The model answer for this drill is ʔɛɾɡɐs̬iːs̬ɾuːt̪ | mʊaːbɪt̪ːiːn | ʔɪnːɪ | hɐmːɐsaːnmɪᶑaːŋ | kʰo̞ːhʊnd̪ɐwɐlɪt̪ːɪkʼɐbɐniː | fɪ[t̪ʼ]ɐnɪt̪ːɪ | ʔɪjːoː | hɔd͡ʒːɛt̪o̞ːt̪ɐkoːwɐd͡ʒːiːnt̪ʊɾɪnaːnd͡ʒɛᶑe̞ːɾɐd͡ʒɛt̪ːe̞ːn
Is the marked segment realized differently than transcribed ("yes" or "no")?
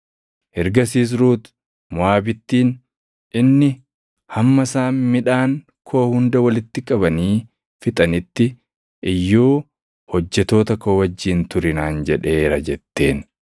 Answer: no